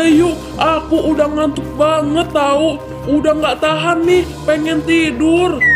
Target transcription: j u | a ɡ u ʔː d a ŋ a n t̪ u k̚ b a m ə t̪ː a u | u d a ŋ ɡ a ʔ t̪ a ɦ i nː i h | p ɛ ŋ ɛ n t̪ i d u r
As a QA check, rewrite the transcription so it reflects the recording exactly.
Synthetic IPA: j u | a k u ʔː d a ŋ a n t̪ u k̚ b a ŋ ə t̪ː a u | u d a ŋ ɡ a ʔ t̪ a ɦ a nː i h | p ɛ ŋ ɛ n t̪ i d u r